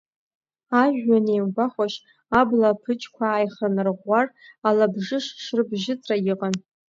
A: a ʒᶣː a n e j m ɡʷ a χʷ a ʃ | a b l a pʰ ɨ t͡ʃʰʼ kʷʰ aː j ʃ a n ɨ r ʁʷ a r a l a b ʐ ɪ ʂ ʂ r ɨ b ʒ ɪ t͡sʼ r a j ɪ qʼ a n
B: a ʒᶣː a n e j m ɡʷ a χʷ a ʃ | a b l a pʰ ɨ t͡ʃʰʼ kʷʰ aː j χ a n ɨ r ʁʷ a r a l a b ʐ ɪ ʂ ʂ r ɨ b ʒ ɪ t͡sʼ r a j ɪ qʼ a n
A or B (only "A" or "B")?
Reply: B